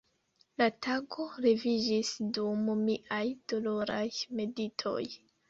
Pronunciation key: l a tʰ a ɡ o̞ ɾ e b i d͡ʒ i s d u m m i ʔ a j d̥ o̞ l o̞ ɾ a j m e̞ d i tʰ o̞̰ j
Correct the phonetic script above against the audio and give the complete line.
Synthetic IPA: l a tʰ a ɡ o̞ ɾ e v i d͡ʒ i s d u m m i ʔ a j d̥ o̞ l o̞ ɾ a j m e̞ d i tʰ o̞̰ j